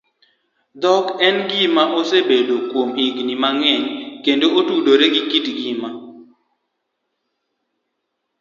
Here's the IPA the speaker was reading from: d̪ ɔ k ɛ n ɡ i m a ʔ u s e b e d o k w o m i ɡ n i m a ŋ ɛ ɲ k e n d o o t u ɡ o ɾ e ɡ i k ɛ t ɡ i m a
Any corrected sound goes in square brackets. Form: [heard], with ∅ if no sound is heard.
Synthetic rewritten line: d̪ ɔ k ɛ n ɡ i m a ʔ [o] s e b e d o k w o m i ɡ n i m a ŋ ɛ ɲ k e n d o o t u [d] o ɾ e ɡ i k [i] t ɡ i m a